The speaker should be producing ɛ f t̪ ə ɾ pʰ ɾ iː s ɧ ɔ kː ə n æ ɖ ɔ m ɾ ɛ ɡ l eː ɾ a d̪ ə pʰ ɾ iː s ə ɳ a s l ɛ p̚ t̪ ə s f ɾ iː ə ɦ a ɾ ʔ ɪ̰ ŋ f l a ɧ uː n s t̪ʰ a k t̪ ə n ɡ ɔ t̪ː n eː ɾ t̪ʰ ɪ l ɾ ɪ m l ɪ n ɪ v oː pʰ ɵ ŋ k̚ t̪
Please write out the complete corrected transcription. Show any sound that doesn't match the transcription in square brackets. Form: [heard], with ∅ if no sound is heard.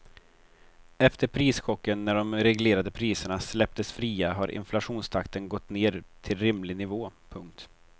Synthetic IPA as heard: ɛ f t̪ ə ɾ pʰ ɾ iː s ɧ ɔ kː ə [nː] æ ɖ ɔ m ɾ ɛ ɡ l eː ɾ a d̪ ə pʰ ɾ iː s ə ɳ a s l ɛ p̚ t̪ ə s f ɾ iː [a] ɦ a ɾ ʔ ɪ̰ [n] f l a ɧ uː n s t̪ʰ a k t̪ ə n ɡ ɔ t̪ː n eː ɾ t̪ʰ ɪ l ɾ ɪ m l ɪ n ɪ v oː pʰ ɵ ŋ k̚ t̪